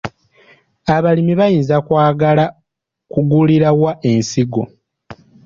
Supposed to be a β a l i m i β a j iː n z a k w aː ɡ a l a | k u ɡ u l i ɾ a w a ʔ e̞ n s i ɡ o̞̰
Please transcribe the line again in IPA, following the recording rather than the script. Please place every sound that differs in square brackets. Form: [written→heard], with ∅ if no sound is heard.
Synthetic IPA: a β a l i m i β a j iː n z a k w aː ɡ a l a | k u ɡ u l i ɾ a w a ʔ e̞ n s i ɡ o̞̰